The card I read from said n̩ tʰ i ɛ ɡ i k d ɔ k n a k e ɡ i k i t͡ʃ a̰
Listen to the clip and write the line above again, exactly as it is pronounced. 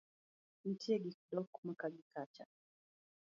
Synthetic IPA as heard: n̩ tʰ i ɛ ɡ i k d ɔ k m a k a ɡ i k a t͡ʃ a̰